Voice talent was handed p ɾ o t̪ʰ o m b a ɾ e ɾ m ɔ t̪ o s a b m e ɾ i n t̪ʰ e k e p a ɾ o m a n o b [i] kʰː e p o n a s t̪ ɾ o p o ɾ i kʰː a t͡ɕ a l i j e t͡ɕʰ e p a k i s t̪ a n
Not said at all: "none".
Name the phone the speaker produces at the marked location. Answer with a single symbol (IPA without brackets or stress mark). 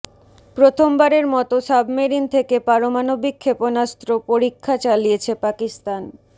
i